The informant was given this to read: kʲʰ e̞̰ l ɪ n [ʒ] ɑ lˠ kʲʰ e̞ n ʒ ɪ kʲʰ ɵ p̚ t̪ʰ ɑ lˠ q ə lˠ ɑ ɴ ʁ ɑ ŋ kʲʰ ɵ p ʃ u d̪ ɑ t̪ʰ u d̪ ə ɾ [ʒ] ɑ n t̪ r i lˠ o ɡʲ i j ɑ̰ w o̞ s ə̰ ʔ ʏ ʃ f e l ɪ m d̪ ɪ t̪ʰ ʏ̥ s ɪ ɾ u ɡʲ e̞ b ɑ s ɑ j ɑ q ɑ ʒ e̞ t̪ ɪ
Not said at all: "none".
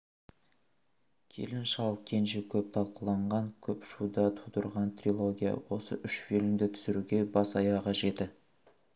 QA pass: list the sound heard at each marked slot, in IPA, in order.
ʃ, ʁ

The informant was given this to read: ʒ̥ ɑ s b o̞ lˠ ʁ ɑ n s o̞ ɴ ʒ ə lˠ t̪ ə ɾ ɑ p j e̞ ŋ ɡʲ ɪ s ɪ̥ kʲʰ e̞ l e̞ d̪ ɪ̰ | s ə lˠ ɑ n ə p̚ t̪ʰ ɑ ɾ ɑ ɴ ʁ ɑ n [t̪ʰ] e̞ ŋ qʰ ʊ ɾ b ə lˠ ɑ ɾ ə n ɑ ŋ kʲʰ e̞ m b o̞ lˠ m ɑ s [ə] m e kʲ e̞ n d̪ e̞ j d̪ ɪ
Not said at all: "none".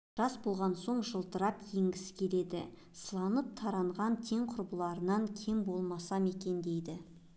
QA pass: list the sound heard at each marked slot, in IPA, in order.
t̪ʰ, ɑ

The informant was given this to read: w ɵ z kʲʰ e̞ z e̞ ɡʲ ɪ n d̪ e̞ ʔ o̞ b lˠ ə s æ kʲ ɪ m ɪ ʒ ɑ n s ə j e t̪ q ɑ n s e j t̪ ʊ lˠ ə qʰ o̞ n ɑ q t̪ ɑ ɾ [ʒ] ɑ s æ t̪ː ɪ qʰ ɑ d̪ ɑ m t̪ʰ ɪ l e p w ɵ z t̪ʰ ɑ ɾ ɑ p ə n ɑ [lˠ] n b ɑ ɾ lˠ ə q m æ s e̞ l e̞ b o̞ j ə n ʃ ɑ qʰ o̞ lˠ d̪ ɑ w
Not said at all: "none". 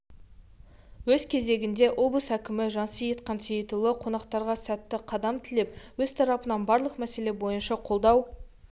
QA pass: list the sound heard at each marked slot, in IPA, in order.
ʁ, none

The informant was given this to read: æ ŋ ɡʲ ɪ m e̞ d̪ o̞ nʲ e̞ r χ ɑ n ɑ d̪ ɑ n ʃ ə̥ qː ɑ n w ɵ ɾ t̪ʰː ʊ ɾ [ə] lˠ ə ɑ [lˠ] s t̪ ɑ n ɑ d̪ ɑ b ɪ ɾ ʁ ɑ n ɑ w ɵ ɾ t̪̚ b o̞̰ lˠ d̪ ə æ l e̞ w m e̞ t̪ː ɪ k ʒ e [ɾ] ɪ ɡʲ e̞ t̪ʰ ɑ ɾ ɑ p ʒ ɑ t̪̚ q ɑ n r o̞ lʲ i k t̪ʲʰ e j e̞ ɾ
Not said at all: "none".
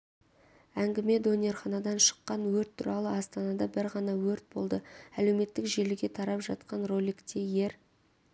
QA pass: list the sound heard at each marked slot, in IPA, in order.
ɑ, none, l

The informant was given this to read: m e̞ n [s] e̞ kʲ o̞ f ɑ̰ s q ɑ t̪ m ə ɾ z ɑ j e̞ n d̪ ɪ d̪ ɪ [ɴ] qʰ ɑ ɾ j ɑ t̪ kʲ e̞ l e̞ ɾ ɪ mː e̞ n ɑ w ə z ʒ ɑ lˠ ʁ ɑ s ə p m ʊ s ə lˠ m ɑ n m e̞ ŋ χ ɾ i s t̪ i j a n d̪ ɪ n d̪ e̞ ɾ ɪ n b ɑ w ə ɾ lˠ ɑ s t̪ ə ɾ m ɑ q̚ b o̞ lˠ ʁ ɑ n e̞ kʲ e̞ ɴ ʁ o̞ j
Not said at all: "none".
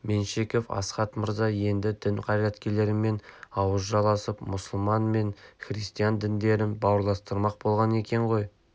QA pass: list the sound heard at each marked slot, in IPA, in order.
ʃ, n

